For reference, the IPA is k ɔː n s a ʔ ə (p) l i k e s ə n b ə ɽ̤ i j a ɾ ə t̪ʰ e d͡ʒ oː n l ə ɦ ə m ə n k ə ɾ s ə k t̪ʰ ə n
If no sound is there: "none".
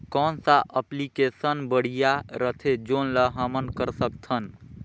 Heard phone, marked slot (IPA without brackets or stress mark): p